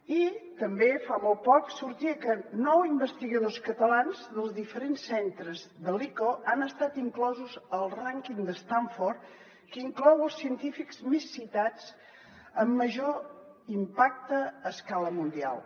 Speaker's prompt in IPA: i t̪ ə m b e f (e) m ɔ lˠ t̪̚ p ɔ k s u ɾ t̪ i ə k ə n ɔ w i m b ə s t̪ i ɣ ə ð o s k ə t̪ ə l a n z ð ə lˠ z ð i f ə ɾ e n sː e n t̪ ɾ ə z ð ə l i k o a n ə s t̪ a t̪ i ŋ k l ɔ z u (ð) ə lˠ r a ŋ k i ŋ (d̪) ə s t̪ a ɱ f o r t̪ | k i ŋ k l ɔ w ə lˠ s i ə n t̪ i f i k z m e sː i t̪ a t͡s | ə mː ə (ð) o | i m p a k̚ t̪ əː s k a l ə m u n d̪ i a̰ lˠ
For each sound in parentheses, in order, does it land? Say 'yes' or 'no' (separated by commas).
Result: no, no, yes, no